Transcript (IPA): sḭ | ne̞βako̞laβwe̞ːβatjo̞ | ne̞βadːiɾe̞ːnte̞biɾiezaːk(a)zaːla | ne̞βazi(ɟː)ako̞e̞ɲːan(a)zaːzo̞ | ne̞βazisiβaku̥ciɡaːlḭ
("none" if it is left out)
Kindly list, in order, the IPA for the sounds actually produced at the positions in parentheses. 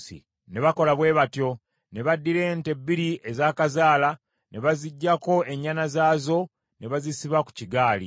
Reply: a, ɟː, a

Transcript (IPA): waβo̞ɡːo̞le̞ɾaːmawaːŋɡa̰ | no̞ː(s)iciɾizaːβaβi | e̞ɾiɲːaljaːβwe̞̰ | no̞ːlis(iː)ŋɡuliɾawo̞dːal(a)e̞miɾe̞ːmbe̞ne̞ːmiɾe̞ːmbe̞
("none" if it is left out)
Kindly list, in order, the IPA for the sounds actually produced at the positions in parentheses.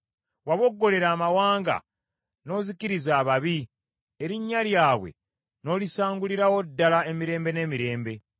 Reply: z, aː, a

